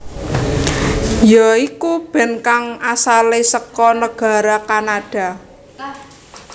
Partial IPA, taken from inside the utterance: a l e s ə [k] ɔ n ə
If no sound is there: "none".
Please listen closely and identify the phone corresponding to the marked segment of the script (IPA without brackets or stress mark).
k